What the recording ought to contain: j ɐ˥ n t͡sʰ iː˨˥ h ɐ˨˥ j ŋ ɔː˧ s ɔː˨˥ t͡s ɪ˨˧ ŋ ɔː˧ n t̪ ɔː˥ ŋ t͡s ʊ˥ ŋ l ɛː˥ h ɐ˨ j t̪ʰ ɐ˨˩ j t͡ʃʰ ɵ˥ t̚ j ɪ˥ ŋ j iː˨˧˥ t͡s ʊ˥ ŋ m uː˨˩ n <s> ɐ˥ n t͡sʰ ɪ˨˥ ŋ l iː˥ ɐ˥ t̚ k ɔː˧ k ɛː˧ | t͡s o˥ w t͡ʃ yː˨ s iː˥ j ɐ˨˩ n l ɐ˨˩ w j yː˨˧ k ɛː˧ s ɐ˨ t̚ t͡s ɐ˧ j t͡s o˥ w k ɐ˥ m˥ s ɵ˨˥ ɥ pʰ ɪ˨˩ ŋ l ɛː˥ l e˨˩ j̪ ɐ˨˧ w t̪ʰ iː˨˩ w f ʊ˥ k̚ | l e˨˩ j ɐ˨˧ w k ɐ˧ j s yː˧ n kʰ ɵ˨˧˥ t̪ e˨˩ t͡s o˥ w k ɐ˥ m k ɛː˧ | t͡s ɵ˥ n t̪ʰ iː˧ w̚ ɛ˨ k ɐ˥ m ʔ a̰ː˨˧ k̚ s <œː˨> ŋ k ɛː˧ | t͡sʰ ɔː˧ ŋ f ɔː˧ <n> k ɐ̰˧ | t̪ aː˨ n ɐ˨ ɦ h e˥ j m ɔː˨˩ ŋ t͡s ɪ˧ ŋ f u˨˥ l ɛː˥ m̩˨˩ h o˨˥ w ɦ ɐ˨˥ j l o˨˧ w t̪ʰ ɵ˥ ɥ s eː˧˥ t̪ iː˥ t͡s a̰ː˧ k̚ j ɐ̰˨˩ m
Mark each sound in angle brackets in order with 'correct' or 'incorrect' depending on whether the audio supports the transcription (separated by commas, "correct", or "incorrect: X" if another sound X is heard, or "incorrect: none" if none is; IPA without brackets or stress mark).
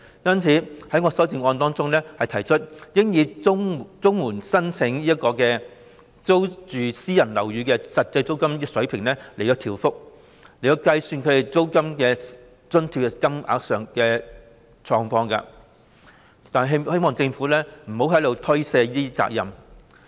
correct, correct, incorrect: ŋ